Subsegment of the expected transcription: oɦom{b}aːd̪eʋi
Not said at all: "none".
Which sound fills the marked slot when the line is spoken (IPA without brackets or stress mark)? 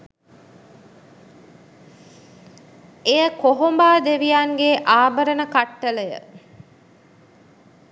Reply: b